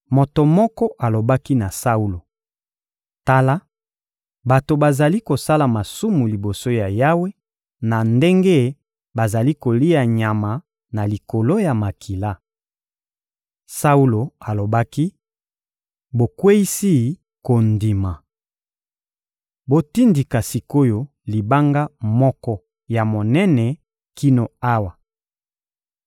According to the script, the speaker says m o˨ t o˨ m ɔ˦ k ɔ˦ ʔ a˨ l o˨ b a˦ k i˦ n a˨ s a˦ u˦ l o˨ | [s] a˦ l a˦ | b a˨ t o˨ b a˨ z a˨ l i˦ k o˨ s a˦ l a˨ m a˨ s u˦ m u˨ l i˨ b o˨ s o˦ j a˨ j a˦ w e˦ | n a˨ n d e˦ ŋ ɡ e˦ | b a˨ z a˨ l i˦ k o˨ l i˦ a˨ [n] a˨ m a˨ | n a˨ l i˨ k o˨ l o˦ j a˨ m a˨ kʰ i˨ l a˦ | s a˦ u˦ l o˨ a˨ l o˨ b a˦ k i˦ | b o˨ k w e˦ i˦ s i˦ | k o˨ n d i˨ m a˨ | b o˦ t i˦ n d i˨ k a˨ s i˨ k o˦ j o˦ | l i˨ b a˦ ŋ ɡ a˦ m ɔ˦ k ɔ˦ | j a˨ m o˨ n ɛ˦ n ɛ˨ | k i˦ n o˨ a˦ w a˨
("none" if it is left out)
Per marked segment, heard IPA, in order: t, ɲ

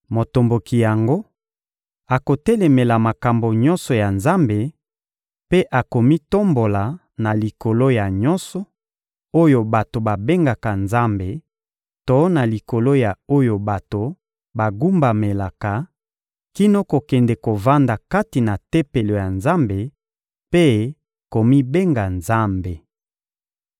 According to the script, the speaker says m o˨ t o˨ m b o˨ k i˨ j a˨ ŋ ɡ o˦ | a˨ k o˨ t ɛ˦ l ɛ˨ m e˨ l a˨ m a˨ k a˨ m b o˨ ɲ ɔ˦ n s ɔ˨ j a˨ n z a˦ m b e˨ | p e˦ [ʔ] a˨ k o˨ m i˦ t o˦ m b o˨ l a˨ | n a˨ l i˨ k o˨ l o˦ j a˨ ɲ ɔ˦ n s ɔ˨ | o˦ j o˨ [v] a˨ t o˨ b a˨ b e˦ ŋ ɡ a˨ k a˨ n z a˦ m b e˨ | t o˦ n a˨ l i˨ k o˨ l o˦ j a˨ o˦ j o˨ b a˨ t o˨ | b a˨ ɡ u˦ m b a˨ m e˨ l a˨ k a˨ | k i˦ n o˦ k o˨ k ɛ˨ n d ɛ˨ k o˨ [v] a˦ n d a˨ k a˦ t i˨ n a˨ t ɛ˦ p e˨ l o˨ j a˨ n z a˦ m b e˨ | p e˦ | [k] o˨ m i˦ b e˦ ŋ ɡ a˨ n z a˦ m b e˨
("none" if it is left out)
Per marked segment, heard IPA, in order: ʔ, b, v, k

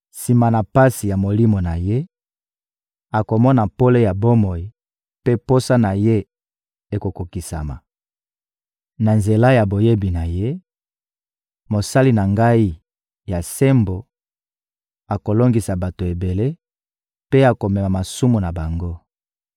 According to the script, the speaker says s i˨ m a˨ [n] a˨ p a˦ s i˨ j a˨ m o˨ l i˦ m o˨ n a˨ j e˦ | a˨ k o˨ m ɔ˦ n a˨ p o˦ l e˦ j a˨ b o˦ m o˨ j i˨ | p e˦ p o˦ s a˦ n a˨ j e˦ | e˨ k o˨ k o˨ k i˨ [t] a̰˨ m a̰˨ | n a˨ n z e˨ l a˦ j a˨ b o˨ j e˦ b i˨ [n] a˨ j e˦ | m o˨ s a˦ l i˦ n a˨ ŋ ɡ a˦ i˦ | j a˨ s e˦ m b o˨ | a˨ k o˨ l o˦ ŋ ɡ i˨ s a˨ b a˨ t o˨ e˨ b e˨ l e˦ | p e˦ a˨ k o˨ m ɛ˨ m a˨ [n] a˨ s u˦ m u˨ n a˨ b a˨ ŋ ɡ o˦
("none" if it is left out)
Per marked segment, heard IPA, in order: n, s, n, m

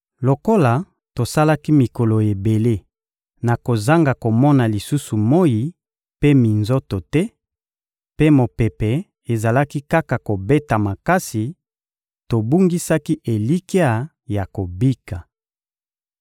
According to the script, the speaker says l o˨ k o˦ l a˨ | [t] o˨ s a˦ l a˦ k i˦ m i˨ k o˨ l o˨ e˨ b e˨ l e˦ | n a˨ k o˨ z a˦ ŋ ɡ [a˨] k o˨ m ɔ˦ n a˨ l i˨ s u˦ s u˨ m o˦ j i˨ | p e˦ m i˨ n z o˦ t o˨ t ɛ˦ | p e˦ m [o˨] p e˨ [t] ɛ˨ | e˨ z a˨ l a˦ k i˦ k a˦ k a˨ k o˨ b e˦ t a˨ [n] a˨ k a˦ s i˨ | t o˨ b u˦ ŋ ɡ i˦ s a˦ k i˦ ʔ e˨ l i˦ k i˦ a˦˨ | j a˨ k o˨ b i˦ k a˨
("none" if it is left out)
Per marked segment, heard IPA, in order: t, a˨, o˨, p, m

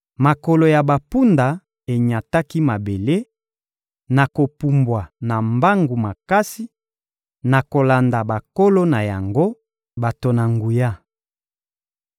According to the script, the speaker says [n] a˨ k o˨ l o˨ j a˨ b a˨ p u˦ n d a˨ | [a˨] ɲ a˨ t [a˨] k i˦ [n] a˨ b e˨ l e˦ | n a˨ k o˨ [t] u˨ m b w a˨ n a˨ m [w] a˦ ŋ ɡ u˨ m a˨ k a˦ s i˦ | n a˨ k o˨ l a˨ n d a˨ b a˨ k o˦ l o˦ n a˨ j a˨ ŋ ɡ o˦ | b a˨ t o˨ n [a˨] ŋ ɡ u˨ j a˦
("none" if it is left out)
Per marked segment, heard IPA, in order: m, e˨, a˦, m, p, b, a˨

